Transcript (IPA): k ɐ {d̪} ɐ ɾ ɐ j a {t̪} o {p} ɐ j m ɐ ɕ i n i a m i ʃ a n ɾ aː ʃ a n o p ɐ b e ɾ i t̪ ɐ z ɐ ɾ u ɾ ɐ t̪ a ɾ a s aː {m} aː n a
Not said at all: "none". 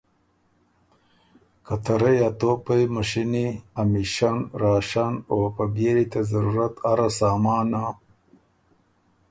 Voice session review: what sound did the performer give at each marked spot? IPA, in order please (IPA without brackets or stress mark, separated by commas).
t̪, t̪, p, m